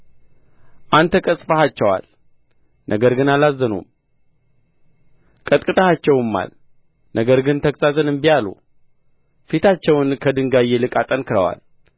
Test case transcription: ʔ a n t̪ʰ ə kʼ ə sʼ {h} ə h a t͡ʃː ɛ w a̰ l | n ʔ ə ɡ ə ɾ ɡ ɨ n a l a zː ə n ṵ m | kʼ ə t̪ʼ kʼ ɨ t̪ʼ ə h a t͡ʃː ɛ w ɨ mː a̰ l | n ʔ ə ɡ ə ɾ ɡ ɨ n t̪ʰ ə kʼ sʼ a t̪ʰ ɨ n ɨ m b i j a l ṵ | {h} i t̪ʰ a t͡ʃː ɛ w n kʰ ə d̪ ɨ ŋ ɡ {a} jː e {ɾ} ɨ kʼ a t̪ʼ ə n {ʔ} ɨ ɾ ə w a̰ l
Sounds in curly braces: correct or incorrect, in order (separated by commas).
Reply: incorrect, incorrect, correct, incorrect, incorrect